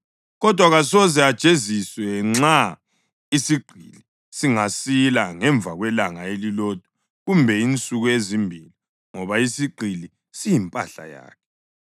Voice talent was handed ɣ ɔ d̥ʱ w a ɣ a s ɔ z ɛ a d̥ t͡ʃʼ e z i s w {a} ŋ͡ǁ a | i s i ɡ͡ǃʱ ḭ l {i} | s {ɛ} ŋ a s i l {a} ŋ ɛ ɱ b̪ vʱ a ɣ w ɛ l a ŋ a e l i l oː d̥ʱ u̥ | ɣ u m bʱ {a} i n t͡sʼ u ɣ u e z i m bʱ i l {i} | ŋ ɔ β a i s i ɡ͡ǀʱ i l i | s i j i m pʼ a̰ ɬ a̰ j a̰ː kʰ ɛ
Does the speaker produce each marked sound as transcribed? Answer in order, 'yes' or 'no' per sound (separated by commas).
no, yes, no, yes, no, yes